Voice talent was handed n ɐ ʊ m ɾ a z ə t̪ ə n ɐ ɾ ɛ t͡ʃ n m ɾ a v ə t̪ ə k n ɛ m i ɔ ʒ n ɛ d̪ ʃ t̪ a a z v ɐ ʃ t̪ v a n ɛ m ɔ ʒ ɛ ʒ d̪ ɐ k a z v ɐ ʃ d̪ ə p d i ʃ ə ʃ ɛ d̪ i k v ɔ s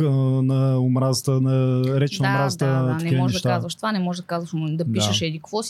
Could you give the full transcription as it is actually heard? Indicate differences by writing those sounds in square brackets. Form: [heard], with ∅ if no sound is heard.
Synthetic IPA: n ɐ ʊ m ɾ a z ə t̪ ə n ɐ ɾ ɛ t͡ʃ n m ɾ a [z] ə t̪ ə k n ɛ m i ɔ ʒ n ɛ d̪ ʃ t̪ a a z v ɐ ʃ t̪ v a n ɛ m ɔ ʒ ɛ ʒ d̪ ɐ k a z v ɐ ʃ d̪ [ɐ] p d i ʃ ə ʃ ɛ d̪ i k v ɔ s